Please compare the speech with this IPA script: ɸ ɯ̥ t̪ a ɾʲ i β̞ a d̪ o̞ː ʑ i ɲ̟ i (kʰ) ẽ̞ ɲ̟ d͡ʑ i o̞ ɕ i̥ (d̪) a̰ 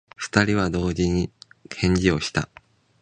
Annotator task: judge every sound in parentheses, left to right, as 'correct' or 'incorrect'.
correct, incorrect: t̪

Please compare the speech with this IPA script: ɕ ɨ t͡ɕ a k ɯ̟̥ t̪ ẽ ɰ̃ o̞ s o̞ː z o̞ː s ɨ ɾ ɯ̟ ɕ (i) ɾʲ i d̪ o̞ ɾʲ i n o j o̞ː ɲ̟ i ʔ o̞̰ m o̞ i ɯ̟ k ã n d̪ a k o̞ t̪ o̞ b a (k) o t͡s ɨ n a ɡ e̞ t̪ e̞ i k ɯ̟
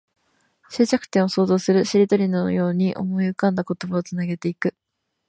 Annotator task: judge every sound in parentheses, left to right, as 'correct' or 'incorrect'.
correct, incorrect: none

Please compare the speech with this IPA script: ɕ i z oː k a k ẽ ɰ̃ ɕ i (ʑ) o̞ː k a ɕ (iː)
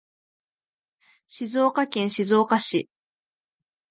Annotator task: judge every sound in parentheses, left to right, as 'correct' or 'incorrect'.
incorrect: z, incorrect: i

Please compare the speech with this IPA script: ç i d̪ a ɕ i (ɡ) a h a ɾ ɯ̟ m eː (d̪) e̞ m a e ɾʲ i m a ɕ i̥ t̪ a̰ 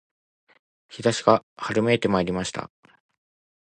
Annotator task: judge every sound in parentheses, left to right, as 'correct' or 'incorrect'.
correct, incorrect: t̪

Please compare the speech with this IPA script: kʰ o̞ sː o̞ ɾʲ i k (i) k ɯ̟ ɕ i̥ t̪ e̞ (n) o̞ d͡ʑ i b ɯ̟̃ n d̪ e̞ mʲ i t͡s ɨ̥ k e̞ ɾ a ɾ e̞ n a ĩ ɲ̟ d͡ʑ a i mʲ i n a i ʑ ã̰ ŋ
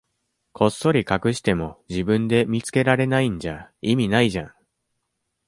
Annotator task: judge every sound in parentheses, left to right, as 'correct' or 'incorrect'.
incorrect: a, incorrect: m

